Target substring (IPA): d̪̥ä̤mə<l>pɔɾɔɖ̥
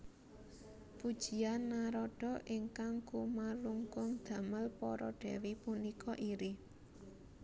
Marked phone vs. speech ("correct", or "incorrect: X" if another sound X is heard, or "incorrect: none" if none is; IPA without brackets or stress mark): correct